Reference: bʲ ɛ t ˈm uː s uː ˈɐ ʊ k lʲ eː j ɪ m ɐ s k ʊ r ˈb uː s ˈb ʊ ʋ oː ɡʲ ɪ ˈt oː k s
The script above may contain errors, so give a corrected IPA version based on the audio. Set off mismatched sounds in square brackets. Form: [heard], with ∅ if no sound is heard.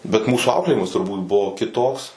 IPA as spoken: bʲ ɛ t ˈm uː s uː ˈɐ ʊ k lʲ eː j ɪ m ɐ s [t] ʊ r ˈb uː [t] ˈb ʊ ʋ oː [kʲ] ɪ ˈt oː k s